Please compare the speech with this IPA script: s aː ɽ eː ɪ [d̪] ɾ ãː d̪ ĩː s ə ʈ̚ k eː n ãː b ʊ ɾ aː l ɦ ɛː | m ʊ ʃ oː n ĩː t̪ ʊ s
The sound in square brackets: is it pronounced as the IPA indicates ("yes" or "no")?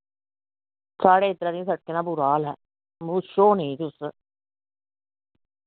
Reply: no